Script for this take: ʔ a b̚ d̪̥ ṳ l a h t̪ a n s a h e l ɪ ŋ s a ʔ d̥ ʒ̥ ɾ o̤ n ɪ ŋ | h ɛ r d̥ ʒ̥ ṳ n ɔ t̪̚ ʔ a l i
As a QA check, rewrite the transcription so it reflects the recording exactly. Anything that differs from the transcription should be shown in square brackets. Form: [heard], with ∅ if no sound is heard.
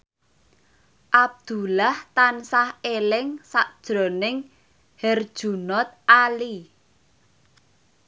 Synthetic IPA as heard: ʔ a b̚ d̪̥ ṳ l a h t̪ a n s a h e l ɪ ŋ s a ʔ d̥ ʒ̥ ɾ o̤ n ɪ ŋ | h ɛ r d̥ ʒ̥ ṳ n ɔ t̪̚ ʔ a l i